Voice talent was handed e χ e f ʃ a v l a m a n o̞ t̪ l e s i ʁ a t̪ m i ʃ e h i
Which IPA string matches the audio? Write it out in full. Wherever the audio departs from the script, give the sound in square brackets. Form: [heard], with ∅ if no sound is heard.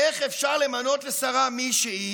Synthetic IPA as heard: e χ e f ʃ a [ʁ] l [e] m a n o̞ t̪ l e s [a] ʁ a [∅] m i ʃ e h i